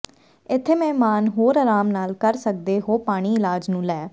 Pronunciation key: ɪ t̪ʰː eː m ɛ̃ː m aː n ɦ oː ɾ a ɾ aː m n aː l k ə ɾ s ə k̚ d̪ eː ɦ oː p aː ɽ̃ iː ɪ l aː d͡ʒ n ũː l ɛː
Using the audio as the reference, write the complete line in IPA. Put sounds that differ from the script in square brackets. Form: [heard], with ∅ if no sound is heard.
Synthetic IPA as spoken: ɪ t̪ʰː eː m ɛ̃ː m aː n ɦ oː ɾ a ɾ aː m n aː l k ə ɾ s ə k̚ d̪ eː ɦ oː p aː ɽ̃ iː ɪ l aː d͡ʒ n ũː l ɛː